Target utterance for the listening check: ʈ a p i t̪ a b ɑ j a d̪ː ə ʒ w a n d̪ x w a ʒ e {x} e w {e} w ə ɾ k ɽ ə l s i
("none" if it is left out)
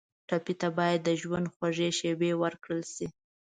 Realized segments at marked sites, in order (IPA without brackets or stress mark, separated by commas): ʃ, e